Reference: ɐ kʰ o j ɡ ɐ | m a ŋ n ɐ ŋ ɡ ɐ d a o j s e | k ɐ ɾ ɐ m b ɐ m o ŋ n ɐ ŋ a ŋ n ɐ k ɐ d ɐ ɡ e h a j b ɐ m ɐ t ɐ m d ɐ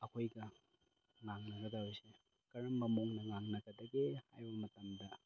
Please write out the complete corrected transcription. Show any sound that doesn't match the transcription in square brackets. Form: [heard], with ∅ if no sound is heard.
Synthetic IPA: ɐ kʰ o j ɡ ɐ | [ŋ] a ŋ n ɐ [∅] ɡ ɐ d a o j s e | k ɐ ɾ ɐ m b ɐ m o ŋ n ɐ ŋ a ŋ n ɐ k ɐ d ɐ ɡ e h a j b ɐ m ɐ t ɐ m d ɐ